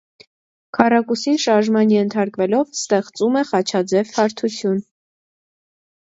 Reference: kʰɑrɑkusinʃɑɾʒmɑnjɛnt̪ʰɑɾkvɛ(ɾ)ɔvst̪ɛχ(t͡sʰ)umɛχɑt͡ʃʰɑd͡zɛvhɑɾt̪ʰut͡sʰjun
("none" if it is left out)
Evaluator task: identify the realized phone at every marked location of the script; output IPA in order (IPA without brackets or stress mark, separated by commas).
l, t͡s